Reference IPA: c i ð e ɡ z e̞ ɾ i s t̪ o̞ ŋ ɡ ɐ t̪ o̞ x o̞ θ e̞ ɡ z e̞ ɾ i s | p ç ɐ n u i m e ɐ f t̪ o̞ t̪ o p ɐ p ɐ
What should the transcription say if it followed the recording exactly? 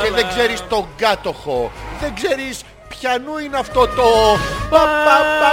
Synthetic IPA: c e ð e ɡ z e̞ ɾ i s t̪ o̞ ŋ ɡ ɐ t̪ o̞ x o̞ ð e̞ ɡ z e̞ ɾ i s | p ç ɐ n u i n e ɐ f t̪ o̞ t̪ o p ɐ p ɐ